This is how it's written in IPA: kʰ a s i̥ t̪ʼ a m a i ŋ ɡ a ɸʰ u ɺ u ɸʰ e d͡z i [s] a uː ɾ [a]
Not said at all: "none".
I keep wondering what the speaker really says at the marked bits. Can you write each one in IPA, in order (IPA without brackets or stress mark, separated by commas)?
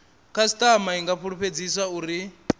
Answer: s, i